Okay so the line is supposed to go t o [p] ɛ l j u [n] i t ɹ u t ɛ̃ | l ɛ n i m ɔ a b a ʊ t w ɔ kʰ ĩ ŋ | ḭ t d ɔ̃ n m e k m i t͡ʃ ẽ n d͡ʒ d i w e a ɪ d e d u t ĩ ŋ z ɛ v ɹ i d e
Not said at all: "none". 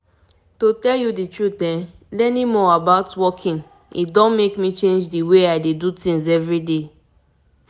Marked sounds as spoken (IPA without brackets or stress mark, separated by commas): t, d